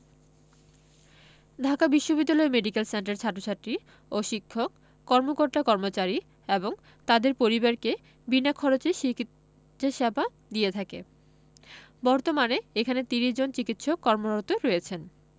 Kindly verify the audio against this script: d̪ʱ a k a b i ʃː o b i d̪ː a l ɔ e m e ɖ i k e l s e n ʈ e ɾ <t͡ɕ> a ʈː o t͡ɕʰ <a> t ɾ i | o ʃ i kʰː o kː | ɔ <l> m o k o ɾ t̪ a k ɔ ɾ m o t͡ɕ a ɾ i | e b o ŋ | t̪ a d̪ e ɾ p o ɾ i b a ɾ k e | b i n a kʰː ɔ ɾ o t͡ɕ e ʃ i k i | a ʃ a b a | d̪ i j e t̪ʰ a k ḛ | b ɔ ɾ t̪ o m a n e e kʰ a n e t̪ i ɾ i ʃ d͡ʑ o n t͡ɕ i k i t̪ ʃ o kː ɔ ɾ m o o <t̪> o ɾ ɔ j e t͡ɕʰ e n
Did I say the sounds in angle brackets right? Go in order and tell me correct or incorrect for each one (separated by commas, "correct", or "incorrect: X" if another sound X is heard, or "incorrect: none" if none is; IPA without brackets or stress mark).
incorrect: t͡ɕʰ, correct, incorrect: ɾ, correct